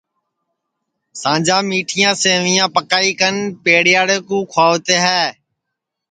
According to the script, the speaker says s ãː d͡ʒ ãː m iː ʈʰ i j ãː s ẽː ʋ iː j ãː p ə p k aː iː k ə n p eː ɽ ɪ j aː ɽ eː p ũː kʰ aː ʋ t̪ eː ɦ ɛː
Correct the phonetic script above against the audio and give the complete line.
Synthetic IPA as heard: s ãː d͡ʒ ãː m iː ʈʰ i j ãː s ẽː ʋ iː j ãː p ə k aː iː k ə n p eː ɽ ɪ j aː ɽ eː k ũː kʰ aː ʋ t̪ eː ɦ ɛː